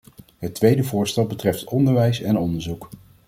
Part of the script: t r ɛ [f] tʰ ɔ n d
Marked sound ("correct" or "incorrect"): correct